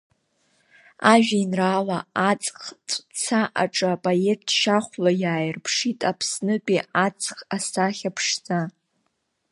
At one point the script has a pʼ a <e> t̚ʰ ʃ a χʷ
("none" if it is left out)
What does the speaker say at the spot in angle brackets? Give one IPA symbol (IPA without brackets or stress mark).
e